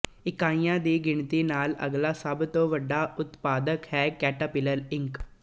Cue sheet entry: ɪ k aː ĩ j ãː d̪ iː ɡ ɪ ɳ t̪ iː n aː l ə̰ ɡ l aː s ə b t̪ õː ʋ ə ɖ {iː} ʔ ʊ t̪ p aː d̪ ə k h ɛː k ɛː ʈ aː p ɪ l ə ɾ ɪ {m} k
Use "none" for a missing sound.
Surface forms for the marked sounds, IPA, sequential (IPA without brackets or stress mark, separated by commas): aː, ŋ